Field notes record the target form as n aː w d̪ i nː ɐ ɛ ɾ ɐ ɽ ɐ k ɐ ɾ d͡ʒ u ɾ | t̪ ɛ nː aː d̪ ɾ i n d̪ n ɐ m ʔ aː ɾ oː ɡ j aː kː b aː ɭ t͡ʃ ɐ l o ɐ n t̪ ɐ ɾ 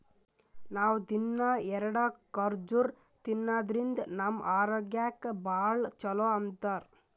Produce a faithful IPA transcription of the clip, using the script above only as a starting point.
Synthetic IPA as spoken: n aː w d̪ i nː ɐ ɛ ɾ ɐ ɽ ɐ k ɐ ɾ d͡ʒ u ɾ | t̪ i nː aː d̪ ɾ i n d̪ n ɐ m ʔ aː ɾ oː ɡ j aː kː b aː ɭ t͡ʃ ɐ l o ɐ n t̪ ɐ ɾ